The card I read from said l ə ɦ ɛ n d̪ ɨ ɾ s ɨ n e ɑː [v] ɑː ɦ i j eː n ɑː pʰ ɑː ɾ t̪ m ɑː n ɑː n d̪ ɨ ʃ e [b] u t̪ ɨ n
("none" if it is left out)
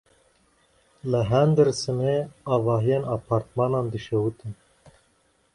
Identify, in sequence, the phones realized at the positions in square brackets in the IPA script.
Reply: v, w

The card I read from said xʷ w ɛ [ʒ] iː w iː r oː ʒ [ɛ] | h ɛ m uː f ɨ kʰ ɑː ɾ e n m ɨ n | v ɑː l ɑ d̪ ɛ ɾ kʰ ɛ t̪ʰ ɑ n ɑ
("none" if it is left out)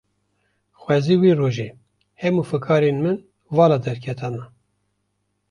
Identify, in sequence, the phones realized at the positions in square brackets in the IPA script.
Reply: z, e

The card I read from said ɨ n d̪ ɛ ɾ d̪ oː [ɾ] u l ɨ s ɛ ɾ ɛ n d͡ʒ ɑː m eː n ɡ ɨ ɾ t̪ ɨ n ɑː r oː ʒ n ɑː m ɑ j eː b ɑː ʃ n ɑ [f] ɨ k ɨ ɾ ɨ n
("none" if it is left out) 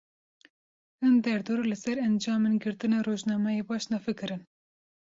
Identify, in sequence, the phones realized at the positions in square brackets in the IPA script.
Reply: ɾ, f

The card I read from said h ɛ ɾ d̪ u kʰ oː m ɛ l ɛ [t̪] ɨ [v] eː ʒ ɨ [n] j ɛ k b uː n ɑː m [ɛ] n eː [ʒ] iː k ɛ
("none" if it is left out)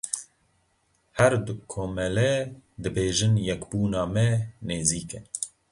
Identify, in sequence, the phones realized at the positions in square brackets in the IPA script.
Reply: d̪, b, n, ɛ, z

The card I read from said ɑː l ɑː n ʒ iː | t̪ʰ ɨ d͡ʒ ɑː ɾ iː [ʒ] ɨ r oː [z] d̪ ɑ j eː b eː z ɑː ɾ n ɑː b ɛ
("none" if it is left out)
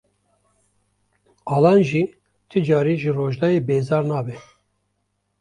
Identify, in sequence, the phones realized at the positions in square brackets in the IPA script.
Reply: ʒ, ʒ

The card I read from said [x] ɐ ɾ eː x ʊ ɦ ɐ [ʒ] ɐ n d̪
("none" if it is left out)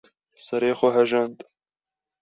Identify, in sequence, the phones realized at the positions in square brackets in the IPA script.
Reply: s, ʒ

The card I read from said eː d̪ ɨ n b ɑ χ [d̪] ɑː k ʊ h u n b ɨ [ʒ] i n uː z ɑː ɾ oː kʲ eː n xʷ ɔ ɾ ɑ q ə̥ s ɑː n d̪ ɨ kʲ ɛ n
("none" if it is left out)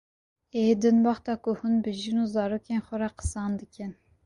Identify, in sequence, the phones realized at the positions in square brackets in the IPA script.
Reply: t̪, ʒ

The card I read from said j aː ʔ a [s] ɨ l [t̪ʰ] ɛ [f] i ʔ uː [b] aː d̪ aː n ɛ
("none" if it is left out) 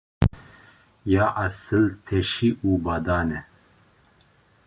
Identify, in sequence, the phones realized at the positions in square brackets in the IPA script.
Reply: s, t̪ʰ, ʃ, b

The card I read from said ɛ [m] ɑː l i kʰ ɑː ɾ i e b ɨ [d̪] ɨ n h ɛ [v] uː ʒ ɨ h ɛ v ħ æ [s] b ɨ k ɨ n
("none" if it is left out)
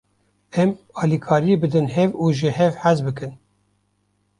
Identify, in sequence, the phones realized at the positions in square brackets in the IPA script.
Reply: m, d̪, v, z

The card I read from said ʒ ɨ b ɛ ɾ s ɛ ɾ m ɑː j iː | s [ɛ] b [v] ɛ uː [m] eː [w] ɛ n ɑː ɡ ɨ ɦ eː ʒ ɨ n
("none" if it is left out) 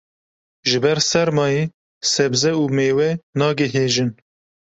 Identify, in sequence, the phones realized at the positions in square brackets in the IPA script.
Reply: ɛ, z, m, w

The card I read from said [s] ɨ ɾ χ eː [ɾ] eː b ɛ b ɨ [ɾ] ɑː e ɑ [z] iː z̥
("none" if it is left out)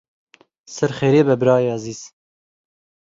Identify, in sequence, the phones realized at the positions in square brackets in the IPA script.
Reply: s, ɾ, ɾ, z

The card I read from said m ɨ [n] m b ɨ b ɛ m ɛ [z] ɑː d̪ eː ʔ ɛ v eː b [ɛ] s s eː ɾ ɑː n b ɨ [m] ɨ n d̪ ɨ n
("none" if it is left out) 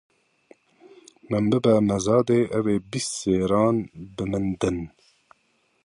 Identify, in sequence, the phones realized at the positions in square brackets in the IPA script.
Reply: none, z, i, m

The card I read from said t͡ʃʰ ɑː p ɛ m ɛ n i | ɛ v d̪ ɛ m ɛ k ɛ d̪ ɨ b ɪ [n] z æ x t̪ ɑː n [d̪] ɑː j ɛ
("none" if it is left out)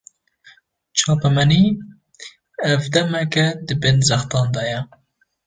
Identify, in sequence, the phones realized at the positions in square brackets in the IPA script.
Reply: n, d̪

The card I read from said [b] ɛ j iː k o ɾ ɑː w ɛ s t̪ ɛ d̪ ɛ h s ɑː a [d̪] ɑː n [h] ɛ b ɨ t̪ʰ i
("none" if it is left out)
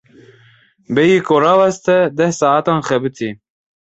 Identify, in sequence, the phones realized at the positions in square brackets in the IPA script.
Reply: b, t̪, x

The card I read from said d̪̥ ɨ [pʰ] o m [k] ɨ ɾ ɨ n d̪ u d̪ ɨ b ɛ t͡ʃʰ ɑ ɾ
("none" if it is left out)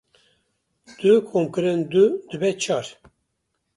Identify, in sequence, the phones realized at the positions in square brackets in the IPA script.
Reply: kʰ, k

